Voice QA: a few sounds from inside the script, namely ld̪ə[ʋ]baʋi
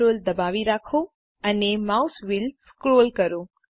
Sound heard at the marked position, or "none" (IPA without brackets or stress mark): none